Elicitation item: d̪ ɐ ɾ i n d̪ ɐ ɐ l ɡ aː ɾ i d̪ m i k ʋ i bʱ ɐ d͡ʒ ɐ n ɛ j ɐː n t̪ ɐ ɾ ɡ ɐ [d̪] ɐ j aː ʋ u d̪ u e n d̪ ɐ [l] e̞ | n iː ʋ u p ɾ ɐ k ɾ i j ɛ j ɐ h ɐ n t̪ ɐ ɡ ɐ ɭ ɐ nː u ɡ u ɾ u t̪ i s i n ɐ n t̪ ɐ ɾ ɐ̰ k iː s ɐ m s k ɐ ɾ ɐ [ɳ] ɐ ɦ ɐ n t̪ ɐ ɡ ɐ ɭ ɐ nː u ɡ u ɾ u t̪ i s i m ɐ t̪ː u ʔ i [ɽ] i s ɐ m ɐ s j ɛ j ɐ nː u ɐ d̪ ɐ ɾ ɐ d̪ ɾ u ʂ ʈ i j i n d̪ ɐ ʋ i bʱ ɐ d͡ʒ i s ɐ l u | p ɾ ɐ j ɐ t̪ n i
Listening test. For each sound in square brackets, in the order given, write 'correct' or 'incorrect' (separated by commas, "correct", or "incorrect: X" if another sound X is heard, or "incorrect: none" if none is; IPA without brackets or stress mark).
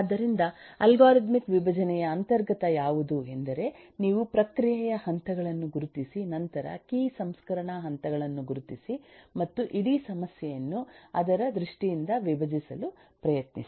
incorrect: t̪, incorrect: ɾ, correct, correct